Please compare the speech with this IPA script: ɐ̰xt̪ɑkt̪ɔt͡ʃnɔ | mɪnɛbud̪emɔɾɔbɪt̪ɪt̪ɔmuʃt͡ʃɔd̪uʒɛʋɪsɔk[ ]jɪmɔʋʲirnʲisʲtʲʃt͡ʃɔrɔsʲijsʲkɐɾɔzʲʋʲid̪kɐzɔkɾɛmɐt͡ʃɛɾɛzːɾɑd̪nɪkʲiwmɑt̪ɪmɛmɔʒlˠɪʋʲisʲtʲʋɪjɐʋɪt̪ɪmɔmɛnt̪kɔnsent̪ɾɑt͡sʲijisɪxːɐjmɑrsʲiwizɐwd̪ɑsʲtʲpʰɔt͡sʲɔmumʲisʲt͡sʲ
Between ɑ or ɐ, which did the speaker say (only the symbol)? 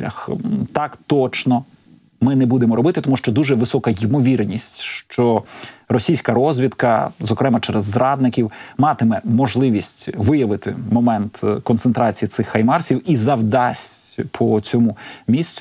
ɐ